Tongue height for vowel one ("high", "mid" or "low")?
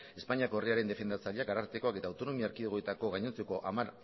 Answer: mid